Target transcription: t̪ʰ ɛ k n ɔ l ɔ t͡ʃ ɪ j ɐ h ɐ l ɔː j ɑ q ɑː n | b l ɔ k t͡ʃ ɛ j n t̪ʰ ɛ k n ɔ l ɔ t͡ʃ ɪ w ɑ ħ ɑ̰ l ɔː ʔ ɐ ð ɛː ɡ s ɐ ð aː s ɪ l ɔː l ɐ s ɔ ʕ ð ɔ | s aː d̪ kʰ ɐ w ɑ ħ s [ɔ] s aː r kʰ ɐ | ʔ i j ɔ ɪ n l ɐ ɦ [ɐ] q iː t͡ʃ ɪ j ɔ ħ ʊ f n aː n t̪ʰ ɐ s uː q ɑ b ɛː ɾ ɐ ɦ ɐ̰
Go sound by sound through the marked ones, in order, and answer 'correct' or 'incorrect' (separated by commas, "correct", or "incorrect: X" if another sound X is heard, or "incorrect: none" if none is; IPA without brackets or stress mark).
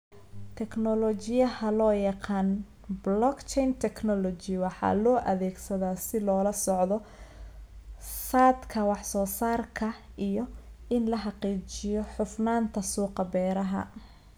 incorrect: ɔː, incorrect: ɑ